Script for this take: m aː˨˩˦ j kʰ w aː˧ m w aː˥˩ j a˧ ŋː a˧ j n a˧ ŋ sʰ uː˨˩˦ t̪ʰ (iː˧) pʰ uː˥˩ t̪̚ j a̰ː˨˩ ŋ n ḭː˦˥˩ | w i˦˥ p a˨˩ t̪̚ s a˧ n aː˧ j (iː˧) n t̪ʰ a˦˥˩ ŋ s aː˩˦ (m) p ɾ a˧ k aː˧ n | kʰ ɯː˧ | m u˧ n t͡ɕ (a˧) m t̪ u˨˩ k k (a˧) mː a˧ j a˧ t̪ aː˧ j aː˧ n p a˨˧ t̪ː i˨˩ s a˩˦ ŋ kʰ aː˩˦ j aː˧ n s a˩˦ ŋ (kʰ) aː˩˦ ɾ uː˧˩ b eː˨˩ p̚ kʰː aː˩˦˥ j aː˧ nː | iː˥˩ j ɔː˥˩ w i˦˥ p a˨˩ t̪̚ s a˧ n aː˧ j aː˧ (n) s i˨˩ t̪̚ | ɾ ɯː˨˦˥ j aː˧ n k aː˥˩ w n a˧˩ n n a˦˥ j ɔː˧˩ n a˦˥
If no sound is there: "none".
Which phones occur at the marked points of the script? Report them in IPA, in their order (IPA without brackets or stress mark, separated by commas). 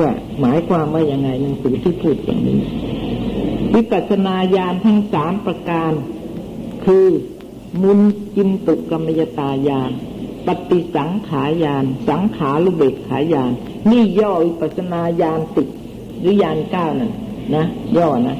iː˥˩, aː˧, m, i˧, a˧, kʰ, n